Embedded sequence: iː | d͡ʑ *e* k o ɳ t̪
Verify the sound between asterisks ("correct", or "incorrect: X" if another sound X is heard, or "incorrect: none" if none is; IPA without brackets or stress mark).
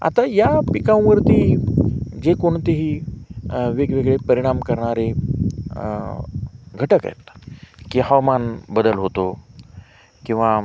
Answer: correct